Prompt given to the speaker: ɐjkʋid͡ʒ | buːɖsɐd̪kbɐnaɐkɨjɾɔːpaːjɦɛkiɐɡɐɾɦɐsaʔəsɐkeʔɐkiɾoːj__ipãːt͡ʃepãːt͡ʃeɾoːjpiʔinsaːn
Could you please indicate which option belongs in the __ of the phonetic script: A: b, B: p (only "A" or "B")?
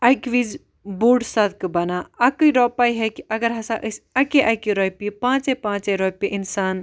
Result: B